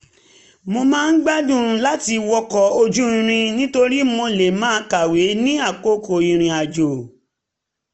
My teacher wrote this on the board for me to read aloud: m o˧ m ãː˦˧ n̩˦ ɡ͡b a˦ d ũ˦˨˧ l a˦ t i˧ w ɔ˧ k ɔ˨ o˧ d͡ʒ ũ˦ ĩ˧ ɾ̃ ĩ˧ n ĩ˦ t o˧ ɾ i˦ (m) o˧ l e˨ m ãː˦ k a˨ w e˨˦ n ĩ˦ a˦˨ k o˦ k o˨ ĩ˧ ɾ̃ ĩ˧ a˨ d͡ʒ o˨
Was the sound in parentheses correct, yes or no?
yes